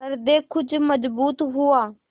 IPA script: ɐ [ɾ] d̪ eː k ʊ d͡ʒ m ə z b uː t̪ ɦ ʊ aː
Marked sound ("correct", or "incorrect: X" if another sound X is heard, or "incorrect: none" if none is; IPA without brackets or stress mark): correct